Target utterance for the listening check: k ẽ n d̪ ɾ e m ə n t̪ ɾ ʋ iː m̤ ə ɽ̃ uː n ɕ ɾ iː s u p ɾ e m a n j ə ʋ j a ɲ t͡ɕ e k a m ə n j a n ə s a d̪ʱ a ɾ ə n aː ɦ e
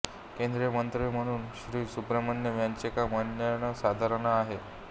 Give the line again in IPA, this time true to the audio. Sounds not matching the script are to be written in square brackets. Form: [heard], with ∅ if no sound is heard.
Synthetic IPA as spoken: k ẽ n d̪ ɾ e m ə n t̪ ɾ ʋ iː m̤ ə ɽ̃ uː n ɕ ɾ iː s u p ɾ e m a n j ə ʋ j a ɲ t͡ɕ e k a m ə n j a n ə s a d̪ʱ a ɾ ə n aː ɦ e

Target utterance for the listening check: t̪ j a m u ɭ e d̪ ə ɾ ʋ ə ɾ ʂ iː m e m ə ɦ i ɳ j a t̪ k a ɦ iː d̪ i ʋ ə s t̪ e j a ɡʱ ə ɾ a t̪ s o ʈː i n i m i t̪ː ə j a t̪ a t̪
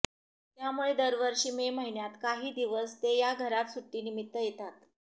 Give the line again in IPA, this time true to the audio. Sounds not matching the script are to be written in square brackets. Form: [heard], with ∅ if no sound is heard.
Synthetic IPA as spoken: t̪ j a m u ɭ e d̪ ə ɾ ʋ ə ɾ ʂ iː m e m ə ɦ i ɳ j a t̪ k a ɦ iː d̪ i ʋ ə s t̪ e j a ɡʱ ə ɾ a t̪ s [u] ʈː [iː] n i m i t̪ː ə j [e] t̪ a t̪

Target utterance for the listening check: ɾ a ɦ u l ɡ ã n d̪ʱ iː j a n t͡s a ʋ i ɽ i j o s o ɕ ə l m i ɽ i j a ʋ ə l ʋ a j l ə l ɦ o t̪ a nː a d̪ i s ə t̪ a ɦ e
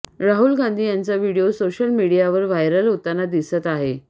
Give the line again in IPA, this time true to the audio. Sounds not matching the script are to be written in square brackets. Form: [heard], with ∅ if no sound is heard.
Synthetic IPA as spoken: ɾ a ɦ u l ɡ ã n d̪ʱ iː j a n t͡s a ʋ i ɽ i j o s o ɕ ə l m i ɽ i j a ʋ ə [ɾ] ʋ a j [ɾ] ə l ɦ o t̪ a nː a d̪ i s ə t̪ a ɦ e

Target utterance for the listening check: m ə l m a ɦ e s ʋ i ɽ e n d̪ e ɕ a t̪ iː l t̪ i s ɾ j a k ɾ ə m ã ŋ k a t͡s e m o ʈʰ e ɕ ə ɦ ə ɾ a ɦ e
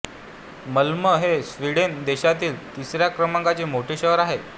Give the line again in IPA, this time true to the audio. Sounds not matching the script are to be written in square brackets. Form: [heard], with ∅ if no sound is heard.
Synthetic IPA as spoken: m ə l m [ə] ɦ e s ʋ i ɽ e n d̪ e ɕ a t̪ iː l t̪ i s ɾ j a k ɾ ə m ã ŋ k a t͡s e m o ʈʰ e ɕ ə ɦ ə ɾ a ɦ e

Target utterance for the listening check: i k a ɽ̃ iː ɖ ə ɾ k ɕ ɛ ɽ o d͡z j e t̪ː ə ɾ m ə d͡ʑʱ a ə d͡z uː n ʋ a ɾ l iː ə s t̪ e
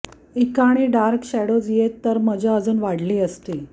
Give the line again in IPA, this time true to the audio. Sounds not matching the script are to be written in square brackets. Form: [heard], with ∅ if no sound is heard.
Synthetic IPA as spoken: i k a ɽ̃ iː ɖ [a] ɾ k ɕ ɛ ɽ o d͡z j e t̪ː ə ɾ m ə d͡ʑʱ a ə d͡z uː n ʋ a [ɽ] l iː ə s t̪ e

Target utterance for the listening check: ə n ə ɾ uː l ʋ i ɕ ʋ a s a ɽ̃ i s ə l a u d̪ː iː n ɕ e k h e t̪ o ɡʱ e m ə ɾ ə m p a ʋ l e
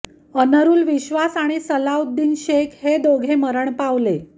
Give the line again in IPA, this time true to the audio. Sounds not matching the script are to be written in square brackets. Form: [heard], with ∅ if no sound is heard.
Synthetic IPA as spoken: ə n ə ɾ uː l ʋ i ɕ ʋ a s a ɽ̃ i s ə l a u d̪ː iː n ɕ e k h e [d̪] o ɡʱ e m ə ɾ ə [ɳ] p a ʋ l e

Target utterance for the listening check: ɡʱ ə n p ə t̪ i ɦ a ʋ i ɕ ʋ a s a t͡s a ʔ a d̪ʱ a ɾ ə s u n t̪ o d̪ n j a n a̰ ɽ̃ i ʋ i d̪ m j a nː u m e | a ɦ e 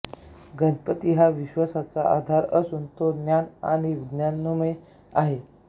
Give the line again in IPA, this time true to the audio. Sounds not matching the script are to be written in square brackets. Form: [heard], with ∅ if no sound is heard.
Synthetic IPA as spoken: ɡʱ ə n p ə t̪ i ɦ a ʋ i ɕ ʋ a s a t͡s a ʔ a d̪ʱ a ɾ ə s u n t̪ o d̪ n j a n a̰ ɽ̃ i ʋ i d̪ [n] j a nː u m e | a ɦ e

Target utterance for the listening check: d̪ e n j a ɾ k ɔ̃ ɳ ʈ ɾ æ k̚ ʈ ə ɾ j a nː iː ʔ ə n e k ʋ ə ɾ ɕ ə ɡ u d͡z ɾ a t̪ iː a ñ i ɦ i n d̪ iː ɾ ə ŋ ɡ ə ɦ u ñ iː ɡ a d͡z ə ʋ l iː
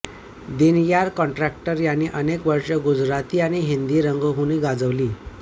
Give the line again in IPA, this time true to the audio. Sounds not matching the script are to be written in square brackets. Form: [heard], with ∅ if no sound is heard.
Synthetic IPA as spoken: d̪ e n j a ɾ k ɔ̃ ɳ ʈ ɾ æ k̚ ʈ ə ɾ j a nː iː ʔ ə n e k ʋ ə ɾ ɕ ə ɡ u d͡z ɾ a t̪ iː a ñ i ɦ i n d̪ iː ɾ ə ŋ ɡ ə ɦ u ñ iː ɡ a d͡z ə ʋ l iː

